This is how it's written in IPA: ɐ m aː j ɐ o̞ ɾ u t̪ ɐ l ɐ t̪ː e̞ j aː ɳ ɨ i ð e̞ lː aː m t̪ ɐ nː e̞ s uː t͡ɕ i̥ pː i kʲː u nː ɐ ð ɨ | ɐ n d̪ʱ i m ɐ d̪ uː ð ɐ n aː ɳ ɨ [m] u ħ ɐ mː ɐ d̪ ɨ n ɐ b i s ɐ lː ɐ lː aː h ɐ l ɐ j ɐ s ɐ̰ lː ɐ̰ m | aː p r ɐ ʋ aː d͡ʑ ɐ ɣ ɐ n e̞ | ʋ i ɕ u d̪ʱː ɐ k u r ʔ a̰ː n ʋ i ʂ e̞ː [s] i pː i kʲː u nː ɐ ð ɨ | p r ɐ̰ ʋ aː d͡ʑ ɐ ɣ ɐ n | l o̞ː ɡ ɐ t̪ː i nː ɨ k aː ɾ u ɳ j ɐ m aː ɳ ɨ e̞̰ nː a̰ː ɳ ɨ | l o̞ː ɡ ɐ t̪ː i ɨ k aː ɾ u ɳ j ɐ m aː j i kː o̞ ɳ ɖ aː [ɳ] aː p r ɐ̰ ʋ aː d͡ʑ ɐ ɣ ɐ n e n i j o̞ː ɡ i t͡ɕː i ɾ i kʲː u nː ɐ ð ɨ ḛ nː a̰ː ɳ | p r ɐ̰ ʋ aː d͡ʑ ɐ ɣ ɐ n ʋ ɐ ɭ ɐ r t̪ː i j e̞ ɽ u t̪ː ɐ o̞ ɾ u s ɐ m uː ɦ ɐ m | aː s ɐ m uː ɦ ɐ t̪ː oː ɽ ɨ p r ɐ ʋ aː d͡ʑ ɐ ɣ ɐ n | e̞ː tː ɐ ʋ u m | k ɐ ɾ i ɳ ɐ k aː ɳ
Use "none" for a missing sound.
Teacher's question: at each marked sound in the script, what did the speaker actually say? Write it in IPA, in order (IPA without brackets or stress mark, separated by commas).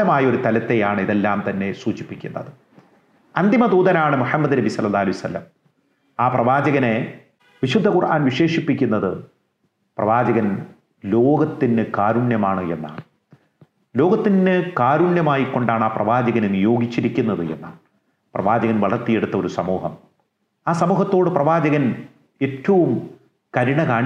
m, ʂ, ɳ